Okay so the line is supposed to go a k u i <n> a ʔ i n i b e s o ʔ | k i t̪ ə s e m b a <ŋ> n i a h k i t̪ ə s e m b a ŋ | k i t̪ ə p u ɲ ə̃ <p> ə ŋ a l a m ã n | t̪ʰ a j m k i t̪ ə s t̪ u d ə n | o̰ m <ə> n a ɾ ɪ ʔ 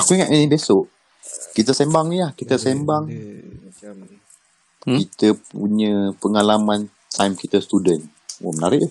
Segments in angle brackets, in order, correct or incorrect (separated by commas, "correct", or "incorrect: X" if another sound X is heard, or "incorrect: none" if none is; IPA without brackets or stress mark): incorrect: ŋ, correct, correct, correct